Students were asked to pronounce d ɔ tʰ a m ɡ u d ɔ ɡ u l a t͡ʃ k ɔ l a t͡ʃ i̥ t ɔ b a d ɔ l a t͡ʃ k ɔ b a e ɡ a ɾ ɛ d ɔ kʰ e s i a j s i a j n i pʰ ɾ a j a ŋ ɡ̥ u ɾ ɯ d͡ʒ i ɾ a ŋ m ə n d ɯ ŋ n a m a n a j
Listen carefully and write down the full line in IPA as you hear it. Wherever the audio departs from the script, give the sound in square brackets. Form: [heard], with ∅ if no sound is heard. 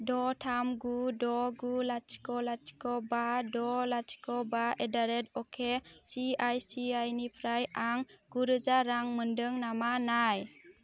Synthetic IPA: d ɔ tʰ a m ɡ u d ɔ ɡ u l a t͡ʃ k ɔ l a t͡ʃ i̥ [k] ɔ b a d ɔ l a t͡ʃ k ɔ b a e [d] a ɾ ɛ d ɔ kʰ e s i a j s i a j n i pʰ ɾ a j a ŋ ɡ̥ u ɾ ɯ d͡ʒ [a] ɾ a ŋ m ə n d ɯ ŋ n a m a n a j